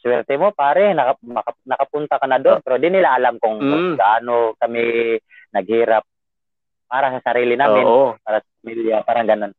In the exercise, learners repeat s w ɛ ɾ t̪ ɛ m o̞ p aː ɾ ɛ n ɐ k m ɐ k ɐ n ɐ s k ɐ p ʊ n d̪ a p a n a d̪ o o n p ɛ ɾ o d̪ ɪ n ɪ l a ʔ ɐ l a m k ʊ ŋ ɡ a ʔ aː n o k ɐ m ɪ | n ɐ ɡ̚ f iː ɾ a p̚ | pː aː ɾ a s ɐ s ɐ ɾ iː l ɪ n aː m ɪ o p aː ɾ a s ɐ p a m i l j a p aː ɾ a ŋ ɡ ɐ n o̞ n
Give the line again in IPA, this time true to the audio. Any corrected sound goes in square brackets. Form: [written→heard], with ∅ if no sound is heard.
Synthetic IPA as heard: s w ɛ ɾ t̪ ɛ m o̞ p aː ɾ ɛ n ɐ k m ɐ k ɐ n ɐ [s→∅] k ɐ p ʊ n [d̪→t̪] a [p→k] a n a d̪ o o n p ɛ ɾ o d̪ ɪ n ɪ l a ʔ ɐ l a m k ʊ ŋ ɡ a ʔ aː n o k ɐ m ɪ | n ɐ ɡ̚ [f→h] iː ɾ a p̚ | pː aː ɾ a s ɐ s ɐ ɾ iː l ɪ n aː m ɪ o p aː ɾ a s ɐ p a m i l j a p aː ɾ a ŋ ɡ ɐ n o̞ n